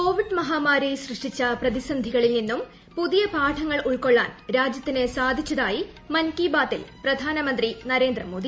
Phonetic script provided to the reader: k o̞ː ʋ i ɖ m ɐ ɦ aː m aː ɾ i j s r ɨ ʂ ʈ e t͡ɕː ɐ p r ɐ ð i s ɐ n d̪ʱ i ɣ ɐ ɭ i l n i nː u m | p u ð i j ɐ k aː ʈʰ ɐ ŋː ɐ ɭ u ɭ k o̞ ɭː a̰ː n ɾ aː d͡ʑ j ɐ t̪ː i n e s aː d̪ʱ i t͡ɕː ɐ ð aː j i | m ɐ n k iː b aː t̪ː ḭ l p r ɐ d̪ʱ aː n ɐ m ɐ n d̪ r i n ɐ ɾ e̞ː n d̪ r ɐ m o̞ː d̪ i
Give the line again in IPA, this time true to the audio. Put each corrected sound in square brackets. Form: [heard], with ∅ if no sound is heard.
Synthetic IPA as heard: k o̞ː ʋ i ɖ m ɐ ɦ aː m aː ɾ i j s r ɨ ʂ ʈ [i] t͡ɕː ɐ p r ɐ ð i s ɐ n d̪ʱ i ɣ ɐ ɭ i l n i nː u m | p u ð i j ɐ [p] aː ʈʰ ɐ ŋː ɐ ɭ u ɭ k o̞ ɭː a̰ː n ɾ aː d͡ʑ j ɐ t̪ː i n e s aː d̪ʱ i t͡ɕː ɐ ð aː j i | m ɐ n k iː b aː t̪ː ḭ l p r ɐ d̪ʱ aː n ɐ m ɐ n d̪ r i n ɐ ɾ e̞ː n d̪ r ɐ m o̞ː d̪ i

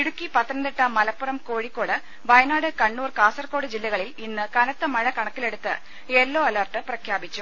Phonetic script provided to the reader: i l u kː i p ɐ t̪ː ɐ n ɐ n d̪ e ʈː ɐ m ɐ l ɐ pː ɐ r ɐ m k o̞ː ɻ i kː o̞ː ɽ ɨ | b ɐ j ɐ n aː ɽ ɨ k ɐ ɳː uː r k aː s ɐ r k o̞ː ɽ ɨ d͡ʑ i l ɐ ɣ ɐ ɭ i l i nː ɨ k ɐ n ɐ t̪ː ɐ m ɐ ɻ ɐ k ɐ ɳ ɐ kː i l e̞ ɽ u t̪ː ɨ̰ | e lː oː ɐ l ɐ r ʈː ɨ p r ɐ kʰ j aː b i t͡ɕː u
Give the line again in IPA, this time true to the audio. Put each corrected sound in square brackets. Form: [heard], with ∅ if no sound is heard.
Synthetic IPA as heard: i [ɽ] u kː i p ɐ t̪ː ɐ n ɐ n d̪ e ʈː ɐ m ɐ l ɐ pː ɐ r ɐ m k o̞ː ɻ i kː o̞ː ɽ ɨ | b ɐ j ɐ n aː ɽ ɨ k ɐ ɳː uː r k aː s ɐ r k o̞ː ɽ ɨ d͡ʑ i [lː] ɐ ɣ ɐ ɭ i l i nː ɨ k ɐ n ɐ t̪ː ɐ m ɐ ɻ ɐ k ɐ ɳ ɐ kː i l e̞ ɽ u t̪ː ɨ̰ | e lː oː ɐ l ɐ r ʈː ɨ p r ɐ kʰ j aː b i t͡ɕː u

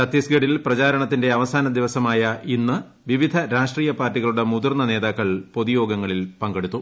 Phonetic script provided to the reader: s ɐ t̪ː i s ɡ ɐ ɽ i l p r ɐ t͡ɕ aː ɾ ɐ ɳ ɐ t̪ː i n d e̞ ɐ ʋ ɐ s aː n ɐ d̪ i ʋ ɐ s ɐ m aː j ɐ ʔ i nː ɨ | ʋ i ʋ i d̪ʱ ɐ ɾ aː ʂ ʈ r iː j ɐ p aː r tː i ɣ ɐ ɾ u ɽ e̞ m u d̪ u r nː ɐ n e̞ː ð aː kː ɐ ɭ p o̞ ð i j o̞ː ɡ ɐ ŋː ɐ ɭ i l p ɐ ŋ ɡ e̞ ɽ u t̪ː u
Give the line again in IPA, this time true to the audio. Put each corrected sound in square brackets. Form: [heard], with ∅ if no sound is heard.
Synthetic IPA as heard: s ɐ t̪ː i s ɡ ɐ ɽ i l p r ɐ t͡ɕ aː ɾ ɐ ɳ ɐ t̪ː i n d e̞ ɐ ʋ ɐ s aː n ɐ d̪ i ʋ ɐ s ɐ m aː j ɐ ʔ i nː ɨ | ʋ i ʋ i d̪ʱ ɐ ɾ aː ʂ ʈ r iː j ɐ p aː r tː i ɣ ɐ [ɭ] u ɽ e̞ m u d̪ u r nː ɐ n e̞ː ð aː kː ɐ ɭ p o̞ ð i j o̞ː ɡ ɐ ŋː ɐ ɭ i l p ɐ ŋ ɡ e̞ ɽ u t̪ː u

